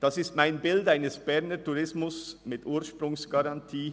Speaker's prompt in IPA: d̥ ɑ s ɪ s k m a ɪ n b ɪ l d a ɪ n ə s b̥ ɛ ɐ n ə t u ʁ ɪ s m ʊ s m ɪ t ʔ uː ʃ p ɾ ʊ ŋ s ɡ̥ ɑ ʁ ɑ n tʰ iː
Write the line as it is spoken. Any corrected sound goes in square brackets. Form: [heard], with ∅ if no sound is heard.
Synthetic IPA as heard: d̥ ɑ s ɪ s [t] m a ɪ n b ɪ l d a ɪ n ə s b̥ ɛ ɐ n ə t u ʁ ɪ s m ʊ s m ɪ t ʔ uː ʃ p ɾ ʊ ŋ s ɡ̥ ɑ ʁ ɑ n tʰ iː